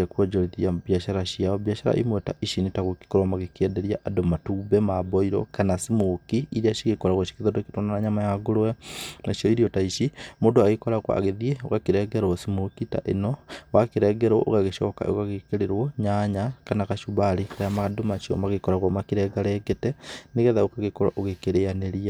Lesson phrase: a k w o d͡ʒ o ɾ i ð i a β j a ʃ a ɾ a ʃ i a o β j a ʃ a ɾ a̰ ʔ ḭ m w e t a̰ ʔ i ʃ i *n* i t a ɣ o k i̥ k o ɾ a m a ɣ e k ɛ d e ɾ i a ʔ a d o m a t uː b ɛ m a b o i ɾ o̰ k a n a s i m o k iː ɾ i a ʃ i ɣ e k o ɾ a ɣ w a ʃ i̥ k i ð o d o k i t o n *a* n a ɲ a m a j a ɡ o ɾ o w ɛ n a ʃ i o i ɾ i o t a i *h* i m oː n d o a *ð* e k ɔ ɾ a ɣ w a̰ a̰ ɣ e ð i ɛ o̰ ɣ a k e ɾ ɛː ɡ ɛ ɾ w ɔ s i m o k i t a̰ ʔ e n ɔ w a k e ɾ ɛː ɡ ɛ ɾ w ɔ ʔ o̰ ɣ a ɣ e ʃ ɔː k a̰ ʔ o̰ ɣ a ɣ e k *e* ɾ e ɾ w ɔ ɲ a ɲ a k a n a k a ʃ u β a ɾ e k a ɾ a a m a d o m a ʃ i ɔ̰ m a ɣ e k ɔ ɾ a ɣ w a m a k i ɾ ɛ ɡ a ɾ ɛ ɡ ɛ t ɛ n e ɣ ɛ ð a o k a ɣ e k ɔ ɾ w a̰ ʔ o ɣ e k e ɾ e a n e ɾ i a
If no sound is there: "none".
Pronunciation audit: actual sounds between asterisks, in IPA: n, a, ʃ, ɣ, e

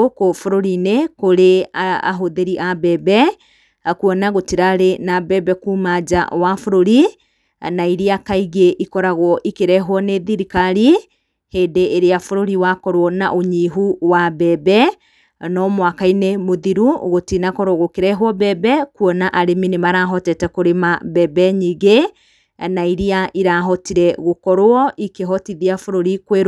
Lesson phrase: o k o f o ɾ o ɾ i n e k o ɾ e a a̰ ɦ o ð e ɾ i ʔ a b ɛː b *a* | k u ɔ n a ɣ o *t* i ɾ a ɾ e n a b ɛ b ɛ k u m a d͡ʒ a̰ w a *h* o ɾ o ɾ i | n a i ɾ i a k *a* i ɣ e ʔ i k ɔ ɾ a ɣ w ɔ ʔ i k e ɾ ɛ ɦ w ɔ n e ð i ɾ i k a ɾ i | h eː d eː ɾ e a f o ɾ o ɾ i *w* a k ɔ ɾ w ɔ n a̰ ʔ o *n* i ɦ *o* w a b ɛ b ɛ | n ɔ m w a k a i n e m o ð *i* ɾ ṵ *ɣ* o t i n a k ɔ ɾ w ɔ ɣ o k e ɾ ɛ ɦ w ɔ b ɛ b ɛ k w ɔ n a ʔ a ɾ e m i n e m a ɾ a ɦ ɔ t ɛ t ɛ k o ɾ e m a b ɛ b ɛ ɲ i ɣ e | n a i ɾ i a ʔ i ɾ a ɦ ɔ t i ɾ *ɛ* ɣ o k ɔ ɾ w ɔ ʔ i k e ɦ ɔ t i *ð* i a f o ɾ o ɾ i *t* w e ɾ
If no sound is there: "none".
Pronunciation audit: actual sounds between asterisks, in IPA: ɛ, t, f, a, w, ɲ, u, i, ɣ, ɛ, ð, k

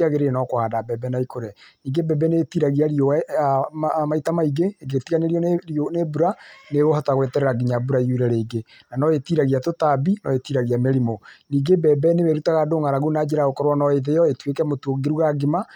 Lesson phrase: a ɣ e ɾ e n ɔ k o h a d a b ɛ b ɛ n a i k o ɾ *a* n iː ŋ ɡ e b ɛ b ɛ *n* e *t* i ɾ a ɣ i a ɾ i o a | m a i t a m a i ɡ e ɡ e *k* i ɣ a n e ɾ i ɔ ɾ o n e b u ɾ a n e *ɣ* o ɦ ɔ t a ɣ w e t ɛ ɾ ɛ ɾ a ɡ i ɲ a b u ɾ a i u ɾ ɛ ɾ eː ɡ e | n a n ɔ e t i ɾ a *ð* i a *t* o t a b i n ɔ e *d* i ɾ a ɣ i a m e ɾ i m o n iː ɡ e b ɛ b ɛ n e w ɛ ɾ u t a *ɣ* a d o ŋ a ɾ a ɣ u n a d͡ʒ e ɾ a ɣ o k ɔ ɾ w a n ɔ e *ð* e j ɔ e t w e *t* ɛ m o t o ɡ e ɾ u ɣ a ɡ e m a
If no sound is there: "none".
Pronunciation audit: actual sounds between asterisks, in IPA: ɛ, n, t, t, ɣ, ɣ, t, t, ɣ, ð, k

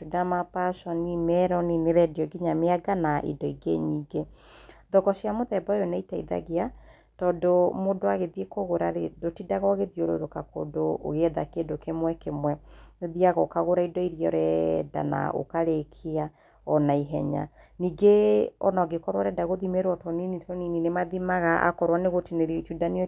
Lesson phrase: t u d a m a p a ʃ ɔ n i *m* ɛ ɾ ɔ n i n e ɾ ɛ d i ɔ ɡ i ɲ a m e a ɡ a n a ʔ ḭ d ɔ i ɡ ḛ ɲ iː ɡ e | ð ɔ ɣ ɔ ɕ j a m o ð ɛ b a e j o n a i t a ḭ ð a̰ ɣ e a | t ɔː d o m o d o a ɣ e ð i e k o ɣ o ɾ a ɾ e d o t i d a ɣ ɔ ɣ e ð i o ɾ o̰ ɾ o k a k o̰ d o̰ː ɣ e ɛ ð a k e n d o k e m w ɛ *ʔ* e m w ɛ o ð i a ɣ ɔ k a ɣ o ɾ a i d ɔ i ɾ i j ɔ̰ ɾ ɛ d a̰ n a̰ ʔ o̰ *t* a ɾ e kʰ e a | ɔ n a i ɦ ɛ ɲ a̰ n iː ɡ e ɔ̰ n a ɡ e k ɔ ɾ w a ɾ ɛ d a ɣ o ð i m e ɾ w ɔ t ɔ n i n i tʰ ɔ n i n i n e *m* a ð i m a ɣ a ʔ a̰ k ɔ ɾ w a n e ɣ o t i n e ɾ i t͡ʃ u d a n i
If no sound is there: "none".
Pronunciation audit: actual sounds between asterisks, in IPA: m, k, k, m

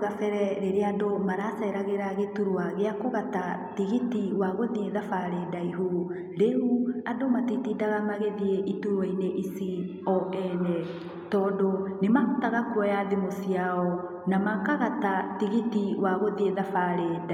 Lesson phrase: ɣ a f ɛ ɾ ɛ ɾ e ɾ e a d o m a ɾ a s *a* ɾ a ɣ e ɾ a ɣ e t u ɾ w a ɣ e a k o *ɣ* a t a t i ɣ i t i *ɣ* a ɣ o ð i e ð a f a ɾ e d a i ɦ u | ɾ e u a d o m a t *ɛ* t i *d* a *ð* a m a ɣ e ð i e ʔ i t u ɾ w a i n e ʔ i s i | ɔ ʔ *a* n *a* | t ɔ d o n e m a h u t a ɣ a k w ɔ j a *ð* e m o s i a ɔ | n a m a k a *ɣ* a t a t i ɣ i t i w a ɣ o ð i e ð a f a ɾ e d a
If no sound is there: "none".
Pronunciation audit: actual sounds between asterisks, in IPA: ɛ, ɣ, w, i, d, ɣ, ɛ, ɛ, ð, ɣ

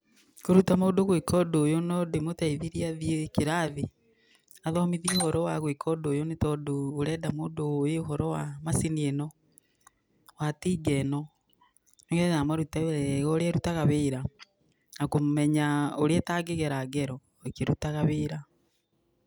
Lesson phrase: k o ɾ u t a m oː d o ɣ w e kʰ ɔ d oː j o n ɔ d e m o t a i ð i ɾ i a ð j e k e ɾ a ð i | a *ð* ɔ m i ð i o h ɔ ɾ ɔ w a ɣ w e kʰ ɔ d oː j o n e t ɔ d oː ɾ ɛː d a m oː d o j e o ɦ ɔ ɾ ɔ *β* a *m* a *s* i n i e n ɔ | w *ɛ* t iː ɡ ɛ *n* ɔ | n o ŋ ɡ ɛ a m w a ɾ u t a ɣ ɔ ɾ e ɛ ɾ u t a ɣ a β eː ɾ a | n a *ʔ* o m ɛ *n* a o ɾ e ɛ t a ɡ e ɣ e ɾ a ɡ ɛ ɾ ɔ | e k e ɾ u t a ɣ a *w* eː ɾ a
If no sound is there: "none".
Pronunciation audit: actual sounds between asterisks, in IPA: ð, w, m, s, a, n, k, ɲ, β

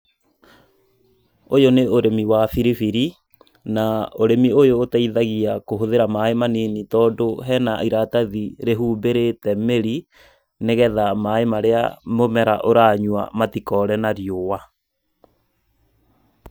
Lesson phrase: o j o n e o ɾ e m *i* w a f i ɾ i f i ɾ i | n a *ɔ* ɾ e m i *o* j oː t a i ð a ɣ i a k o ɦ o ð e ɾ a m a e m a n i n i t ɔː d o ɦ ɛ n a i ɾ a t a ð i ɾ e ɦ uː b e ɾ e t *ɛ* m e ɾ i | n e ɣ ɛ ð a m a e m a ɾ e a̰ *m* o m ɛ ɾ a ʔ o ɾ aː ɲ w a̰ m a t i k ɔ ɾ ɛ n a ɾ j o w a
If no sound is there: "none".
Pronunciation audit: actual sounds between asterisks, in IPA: i, o, o, ɛ, m

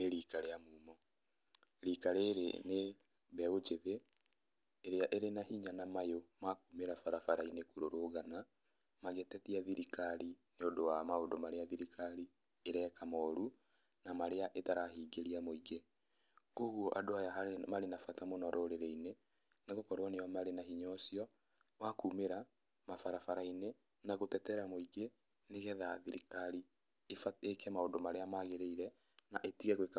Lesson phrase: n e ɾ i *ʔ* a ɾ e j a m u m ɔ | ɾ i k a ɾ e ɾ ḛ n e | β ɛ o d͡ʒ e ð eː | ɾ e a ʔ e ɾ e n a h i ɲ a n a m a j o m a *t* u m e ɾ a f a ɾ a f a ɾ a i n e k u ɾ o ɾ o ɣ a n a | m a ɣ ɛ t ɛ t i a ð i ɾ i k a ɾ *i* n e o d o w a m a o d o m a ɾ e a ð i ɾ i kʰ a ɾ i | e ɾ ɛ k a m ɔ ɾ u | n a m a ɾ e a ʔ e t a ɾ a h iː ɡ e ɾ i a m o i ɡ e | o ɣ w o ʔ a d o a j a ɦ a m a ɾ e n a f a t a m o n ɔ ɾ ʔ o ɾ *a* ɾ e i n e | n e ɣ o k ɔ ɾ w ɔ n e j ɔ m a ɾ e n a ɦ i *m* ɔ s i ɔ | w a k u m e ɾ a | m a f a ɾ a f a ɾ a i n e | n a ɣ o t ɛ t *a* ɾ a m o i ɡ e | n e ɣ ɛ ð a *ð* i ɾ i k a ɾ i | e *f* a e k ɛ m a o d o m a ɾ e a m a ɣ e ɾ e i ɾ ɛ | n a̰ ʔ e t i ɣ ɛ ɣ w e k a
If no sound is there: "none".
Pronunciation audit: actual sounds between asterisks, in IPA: k, k, i, e, ɲ, ɛ, ð, f

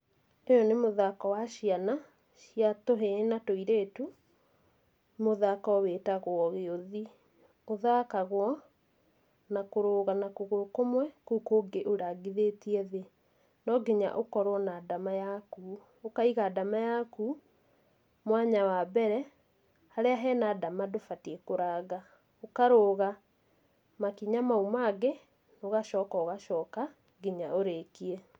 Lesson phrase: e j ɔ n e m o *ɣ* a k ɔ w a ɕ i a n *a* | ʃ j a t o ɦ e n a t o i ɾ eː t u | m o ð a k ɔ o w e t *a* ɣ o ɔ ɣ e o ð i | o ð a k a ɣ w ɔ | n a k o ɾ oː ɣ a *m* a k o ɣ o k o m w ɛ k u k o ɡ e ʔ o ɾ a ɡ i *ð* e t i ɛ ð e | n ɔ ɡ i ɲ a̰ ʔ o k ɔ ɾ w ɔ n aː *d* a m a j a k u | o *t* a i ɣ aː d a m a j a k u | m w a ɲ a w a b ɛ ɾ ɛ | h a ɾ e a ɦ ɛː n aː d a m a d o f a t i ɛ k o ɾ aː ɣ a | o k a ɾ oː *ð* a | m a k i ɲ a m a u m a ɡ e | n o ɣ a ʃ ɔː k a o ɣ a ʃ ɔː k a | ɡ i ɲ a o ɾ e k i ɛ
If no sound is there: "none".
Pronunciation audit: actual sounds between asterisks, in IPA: ð, a, a, n, ð, d, k, ɣ

